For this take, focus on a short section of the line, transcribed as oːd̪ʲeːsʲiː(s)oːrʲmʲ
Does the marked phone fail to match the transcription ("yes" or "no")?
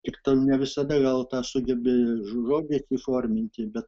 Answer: yes